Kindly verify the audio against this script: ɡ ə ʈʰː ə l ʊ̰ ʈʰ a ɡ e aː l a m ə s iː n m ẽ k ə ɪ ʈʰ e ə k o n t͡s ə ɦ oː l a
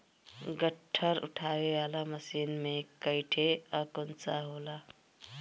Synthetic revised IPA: ɡ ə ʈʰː ə ɾ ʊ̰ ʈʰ a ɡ e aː l a m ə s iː n m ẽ k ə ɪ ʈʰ e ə k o n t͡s a ɦ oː l a